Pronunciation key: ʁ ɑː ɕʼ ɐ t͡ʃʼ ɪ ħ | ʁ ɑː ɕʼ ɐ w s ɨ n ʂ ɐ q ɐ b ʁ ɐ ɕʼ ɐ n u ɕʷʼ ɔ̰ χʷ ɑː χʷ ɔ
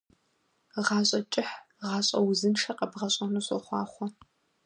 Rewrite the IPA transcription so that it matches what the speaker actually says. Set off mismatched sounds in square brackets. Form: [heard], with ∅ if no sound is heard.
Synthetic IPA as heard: ʁ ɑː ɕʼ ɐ t͡ʃʼ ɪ ħ | ʁ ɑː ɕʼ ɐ w [z] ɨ n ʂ ɐ q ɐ b ʁ ɐ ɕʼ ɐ n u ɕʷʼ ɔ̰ χʷ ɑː χʷ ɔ